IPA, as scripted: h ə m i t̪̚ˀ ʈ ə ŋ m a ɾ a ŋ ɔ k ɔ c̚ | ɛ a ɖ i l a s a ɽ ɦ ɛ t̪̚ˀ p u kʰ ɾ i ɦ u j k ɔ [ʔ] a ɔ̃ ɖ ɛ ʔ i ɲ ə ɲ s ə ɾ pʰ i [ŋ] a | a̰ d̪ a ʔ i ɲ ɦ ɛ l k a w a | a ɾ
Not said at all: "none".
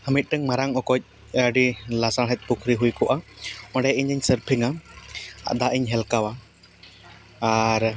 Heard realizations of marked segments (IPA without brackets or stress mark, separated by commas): ʔ, ŋ